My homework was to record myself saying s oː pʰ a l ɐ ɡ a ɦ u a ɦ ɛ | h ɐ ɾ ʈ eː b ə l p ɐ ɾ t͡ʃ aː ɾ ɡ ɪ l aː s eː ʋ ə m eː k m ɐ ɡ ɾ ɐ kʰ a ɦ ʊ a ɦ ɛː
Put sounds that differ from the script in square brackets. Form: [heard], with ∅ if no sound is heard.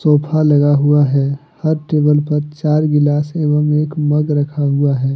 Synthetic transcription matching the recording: s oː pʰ a l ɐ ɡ a ɦ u a ɦ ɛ | h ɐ ɾ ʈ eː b ə l p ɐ ɾ t͡ʃ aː ɾ ɡ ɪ l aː s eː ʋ ə m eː k m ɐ ɡ ɾ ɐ kʰ a ɦ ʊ a ɦ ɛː